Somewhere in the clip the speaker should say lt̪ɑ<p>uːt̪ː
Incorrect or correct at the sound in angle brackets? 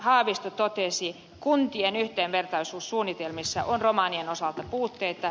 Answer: correct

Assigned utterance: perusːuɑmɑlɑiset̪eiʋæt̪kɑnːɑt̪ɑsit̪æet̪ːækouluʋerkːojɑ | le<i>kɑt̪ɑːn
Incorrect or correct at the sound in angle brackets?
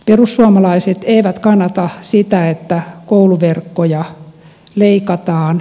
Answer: correct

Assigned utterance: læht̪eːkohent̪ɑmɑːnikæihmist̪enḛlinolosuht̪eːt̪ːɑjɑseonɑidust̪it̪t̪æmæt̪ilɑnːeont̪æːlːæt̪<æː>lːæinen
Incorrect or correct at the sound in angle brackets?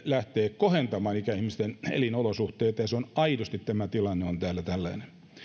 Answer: incorrect: æ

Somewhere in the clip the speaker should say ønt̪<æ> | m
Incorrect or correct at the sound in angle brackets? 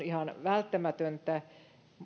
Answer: correct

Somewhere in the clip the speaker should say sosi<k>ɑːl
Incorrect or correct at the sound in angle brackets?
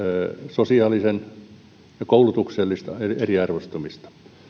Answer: incorrect: none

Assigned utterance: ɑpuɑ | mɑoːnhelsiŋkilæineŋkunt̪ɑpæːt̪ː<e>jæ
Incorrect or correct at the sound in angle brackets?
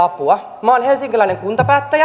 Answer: incorrect: æ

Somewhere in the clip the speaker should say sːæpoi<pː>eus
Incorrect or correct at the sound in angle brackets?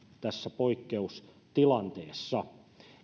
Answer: incorrect: kː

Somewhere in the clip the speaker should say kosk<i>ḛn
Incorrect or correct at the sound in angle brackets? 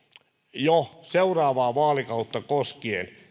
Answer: correct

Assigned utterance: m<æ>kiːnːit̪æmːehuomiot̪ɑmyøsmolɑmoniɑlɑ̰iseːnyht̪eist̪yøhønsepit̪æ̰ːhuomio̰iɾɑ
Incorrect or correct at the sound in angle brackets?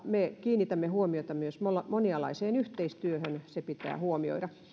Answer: incorrect: e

